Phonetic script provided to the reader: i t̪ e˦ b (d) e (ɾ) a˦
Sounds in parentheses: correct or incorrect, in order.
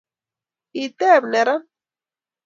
incorrect: n, correct

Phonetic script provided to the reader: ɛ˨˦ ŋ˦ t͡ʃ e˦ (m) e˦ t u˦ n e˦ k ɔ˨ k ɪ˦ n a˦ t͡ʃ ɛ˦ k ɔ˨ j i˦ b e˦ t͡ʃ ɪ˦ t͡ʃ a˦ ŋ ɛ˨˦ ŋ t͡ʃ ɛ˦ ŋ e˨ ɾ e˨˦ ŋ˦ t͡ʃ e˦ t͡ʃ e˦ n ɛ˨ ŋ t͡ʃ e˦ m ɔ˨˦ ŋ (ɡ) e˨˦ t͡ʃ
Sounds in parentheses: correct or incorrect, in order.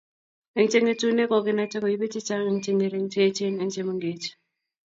incorrect: ŋ, correct

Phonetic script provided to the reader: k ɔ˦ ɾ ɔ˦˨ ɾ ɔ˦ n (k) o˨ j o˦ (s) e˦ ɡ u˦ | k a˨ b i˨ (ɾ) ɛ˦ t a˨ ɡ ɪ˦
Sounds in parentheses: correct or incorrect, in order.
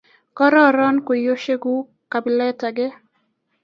correct, incorrect: ʃ, incorrect: l

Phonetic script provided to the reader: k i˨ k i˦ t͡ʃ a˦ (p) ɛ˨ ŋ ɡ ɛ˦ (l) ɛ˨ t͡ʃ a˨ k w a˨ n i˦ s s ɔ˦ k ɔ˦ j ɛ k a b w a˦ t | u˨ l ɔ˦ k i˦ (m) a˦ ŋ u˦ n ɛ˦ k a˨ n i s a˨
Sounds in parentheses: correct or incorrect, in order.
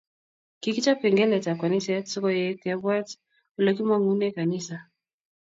correct, correct, correct

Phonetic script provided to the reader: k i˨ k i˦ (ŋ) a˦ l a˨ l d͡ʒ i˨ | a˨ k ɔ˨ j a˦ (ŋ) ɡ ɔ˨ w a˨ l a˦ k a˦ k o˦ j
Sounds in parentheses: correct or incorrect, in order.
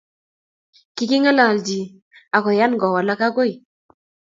correct, incorrect: n

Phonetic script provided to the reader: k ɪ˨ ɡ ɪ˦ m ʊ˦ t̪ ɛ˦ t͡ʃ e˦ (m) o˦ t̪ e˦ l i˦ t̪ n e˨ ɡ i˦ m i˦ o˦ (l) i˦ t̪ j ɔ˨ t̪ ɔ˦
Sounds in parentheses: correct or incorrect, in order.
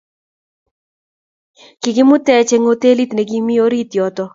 incorrect: ŋ, incorrect: ɾ

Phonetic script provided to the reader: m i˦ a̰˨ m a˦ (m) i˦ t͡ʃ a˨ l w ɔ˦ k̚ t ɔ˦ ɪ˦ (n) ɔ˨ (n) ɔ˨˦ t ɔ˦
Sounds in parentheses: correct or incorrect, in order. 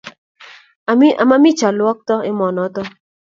correct, incorrect: m, correct

